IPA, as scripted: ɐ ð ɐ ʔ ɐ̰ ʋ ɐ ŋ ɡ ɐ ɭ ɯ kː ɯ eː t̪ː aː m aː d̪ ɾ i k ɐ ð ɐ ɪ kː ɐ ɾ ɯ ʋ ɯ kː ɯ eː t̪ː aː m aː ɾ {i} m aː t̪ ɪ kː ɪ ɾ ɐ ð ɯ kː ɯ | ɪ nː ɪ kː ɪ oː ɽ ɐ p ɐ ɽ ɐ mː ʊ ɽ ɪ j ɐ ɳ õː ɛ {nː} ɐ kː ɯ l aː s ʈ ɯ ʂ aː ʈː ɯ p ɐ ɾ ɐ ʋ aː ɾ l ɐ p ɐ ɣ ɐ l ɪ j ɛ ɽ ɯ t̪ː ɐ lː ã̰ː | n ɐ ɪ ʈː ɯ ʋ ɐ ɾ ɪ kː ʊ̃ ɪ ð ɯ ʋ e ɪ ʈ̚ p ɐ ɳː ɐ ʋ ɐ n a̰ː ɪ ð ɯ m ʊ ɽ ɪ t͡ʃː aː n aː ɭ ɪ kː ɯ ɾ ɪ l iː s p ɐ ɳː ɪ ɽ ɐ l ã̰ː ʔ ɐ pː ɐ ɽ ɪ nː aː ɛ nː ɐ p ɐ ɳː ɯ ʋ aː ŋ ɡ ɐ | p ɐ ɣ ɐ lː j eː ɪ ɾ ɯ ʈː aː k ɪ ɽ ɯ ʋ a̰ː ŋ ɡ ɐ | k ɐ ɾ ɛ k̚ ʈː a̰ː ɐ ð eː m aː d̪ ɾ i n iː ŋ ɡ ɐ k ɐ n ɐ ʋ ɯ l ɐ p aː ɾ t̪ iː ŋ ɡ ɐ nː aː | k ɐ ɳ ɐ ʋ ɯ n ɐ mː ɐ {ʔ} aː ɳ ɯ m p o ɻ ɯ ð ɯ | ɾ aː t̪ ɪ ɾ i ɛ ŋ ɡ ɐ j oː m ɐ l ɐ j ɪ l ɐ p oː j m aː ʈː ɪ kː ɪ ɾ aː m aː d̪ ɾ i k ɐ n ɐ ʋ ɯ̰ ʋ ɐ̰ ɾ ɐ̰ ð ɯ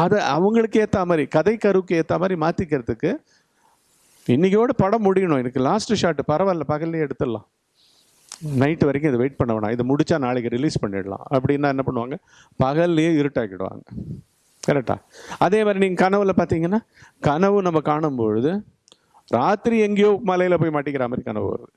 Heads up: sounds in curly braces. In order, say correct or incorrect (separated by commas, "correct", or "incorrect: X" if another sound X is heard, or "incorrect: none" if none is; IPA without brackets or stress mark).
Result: correct, incorrect: n, incorrect: k